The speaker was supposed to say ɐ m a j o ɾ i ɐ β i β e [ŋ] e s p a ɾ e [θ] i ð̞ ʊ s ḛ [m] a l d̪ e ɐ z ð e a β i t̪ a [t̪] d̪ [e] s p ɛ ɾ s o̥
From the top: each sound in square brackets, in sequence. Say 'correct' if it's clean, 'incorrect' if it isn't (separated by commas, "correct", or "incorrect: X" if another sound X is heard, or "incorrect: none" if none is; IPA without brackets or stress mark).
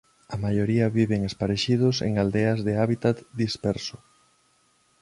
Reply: correct, incorrect: ʃ, incorrect: ŋ, correct, incorrect: i